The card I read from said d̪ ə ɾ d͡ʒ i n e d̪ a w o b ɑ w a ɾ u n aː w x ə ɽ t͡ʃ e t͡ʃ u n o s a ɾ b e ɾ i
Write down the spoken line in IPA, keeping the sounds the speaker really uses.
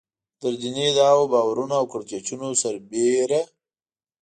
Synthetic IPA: d̪ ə ɾ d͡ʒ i n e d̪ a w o b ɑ w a ɾ u n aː w k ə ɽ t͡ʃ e t͡ʃ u n o s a ɾ b e ɾ a

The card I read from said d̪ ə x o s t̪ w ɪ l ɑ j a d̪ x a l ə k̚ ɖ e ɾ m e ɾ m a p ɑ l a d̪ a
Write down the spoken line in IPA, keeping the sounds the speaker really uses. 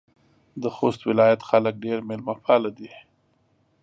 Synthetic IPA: d̪ ə x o s t̪ w ɪ l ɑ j a t̪ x a l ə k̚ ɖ e ɾ m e l m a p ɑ l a d̪ i

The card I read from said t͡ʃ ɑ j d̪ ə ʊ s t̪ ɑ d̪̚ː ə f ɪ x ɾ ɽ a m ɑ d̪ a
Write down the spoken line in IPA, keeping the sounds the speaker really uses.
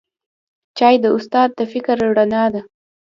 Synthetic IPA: t͡ʃ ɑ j d̪ ə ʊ s t̪ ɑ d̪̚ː ə f ɪ k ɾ ɽ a n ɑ d̪ a

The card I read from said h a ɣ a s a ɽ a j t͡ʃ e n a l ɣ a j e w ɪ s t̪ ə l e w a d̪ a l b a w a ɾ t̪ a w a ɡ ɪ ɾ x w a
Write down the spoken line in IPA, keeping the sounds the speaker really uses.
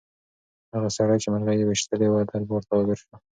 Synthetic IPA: h a ɣ a s a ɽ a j t͡ʃ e m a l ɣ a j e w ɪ ʃ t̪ ə l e w a d̪ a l b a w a ɾ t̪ a w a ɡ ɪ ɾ ʃ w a

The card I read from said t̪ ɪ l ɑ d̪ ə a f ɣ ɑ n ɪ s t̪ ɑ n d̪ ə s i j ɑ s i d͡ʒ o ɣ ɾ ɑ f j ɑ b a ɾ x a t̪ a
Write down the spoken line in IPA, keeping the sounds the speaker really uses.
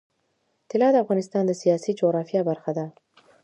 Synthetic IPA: t̪ ɪ l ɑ d̪ ə a f ɣ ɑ n ɪ s t̪ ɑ n d̪ ə s i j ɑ s i d͡ʒ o ɣ ɾ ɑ f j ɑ b a ɾ x a d̪ a

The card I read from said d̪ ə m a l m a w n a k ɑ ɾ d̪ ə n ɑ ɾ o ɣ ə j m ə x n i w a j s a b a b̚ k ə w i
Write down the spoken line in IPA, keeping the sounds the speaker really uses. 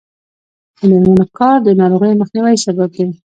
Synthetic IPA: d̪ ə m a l m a n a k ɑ ɾ d̪ ə n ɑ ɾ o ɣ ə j m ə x n i w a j s a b a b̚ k a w i

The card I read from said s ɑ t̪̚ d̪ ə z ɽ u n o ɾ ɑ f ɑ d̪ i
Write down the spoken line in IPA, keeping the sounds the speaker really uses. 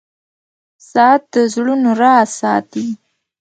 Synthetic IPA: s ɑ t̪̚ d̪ ə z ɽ u n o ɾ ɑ s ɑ t̪ i

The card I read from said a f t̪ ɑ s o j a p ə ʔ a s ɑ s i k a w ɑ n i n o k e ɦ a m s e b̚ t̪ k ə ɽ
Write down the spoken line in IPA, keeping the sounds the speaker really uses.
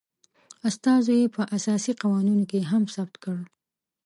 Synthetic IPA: a s t̪ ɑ z o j e p ə ʔ a s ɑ s i q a w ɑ n i n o k e ɦ a m s a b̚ t̪ k ə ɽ

